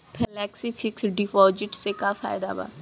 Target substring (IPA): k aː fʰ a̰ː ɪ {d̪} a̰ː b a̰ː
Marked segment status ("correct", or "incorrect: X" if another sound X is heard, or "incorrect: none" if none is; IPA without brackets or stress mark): correct